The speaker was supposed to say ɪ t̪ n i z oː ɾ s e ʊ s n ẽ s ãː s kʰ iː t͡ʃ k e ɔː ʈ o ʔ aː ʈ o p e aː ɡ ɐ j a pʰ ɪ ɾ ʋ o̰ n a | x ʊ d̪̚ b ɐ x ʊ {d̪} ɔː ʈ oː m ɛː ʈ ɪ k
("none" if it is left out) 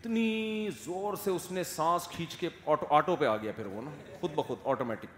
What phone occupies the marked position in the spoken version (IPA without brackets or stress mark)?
d̪